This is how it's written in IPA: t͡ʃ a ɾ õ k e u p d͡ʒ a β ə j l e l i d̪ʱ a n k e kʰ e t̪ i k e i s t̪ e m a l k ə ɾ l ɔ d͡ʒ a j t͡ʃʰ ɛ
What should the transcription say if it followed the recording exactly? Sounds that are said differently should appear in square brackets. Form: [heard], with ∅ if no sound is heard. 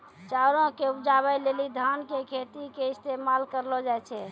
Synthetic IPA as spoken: t͡ʃ a ɾ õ k e u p d͡ʒ a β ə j l e l i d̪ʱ a n k e kʰ e t̪ i k e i s t̪ e m a l k ə ɾ l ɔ d͡ʒ a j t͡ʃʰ ɛ